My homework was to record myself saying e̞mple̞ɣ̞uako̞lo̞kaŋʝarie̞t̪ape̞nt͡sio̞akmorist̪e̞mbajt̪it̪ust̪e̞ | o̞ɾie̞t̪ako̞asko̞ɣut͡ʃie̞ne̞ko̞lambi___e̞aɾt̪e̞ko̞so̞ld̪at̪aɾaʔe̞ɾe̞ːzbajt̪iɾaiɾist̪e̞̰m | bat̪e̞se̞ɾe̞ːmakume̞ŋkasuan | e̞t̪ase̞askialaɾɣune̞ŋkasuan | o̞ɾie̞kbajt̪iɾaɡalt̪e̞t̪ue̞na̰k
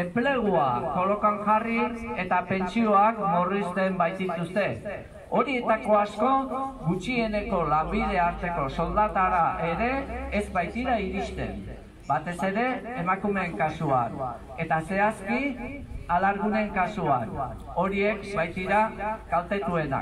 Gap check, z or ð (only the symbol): ð